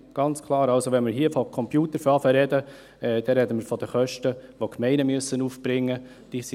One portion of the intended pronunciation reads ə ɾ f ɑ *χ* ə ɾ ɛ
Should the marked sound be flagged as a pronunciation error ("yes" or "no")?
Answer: yes